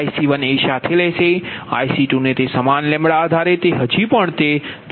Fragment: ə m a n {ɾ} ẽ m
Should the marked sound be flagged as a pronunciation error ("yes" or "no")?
yes